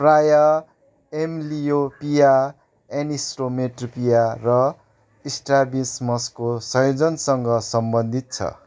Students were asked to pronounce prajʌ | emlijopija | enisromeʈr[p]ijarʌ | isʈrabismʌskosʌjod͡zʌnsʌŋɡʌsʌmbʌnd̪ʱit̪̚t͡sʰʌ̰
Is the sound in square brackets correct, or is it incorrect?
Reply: correct